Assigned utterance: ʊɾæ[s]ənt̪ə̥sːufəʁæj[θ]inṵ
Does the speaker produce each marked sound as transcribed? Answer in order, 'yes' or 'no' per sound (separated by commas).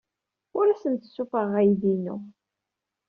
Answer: yes, no